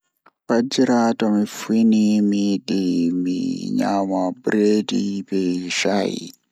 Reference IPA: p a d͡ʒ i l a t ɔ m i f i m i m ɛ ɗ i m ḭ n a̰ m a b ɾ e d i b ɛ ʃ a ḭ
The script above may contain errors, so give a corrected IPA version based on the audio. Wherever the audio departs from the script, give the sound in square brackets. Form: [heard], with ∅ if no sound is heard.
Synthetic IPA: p a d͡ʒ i [ɾ] a t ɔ m i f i [n] i m [i] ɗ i m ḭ [ɲ] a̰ m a b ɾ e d i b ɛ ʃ a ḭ

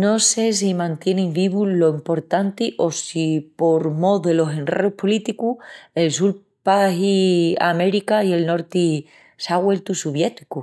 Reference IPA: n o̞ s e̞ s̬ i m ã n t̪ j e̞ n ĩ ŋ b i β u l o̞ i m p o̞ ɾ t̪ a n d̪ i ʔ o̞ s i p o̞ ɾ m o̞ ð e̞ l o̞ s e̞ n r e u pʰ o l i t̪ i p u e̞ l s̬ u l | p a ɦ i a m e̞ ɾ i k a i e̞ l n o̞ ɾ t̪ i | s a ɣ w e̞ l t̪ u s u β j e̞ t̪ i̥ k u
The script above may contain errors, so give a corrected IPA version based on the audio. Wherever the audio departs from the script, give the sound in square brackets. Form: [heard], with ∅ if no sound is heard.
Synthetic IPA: n o̞ s e̞ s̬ i m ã n t̪ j e̞ n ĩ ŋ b i β u l o̞ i m p o̞ ɾ t̪ a n [t̪] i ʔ o̞ s i p o̞ ɾ m o̞ ð e̞ l o̞ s e̞ n r e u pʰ o l i t̪ i [k] u e̞ l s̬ u l | p a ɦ i a m e̞ ɾ i k a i e̞ l n o̞ ɾ t̪ i | s a ɣ w e̞ l t̪ u s u β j e̞ t̪ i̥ k u

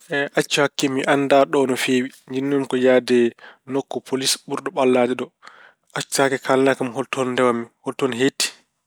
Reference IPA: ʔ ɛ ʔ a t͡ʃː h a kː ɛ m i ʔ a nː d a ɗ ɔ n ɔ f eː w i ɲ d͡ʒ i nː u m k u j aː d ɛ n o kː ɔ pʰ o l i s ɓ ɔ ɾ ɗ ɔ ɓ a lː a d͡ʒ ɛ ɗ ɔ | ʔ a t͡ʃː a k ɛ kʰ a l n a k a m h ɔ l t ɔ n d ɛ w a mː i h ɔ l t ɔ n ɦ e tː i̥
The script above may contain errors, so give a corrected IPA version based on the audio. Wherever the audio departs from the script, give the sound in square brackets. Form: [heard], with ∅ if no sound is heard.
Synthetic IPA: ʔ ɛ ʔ a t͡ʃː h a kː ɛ m i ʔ a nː d a ɗ ɔ n ɔ f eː w i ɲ d͡ʒ i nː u m k [ɔ] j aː d ɛ n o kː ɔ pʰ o l i s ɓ [u] ɾ ɗ ɔ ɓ a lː a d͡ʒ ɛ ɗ ɔ | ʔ a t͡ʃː a k ɛ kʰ a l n a k a m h ɔ l t ɔ n d ɛ w a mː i h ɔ l t ɔ n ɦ e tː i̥

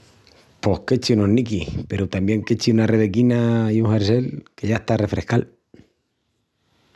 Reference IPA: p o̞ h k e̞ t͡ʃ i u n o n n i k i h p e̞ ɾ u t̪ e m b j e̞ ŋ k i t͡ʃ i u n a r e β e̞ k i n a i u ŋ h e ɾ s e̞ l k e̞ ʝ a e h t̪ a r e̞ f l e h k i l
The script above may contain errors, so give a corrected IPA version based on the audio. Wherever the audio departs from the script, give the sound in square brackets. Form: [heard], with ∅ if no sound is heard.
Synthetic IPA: p o̞ h k e̞ t͡ʃ i u n o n n i k i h p e̞ ɾ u t̪ [a] m b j e̞ ŋ k [e] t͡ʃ i u n a r e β e̞ k i n a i u ŋ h e ɾ s e̞ l k e̞ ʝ a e h t̪ a r e̞ f [ɾ] e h k [a] l

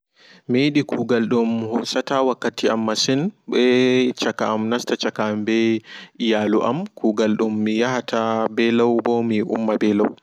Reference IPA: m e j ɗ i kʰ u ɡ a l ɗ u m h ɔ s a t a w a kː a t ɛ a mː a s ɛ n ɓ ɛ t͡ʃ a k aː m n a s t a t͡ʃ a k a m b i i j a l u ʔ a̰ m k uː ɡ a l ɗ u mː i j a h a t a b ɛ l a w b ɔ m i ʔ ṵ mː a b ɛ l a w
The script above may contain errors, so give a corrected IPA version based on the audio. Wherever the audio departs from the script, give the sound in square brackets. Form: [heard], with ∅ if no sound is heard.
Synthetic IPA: m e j ɗ i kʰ u ɡ a l ɗ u m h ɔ s a t a w a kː a t [i] a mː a s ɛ n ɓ ɛ t͡ʃ a k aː m n a s t a t͡ʃ a k a m b [ɛ] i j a l u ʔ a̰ m k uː ɡ a l ɗ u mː i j a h a t a b ɛ l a w b ɔ m i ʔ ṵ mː a b ɛ l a w

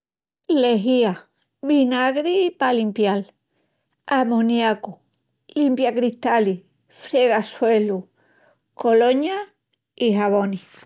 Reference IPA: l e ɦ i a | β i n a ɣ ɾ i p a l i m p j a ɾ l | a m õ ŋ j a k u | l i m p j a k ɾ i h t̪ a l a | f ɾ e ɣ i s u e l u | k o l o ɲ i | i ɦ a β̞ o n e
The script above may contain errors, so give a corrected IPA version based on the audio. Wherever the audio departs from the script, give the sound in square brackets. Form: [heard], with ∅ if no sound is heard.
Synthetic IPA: l e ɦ i a | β i n a ɣ ɾ i p a l i m p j a [∅] l | a m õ [n] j a k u | l i m p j a k ɾ i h t̪ a l [i] | f ɾ e ɣ [a] s [w] e l u | k o l o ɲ [a] | i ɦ a β̞ o n [i]

